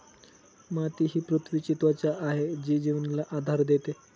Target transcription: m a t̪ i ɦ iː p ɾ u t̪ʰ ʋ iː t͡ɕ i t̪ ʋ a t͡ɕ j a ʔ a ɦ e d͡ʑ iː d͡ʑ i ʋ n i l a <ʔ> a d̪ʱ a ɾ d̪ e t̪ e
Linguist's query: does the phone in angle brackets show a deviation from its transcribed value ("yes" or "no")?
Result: no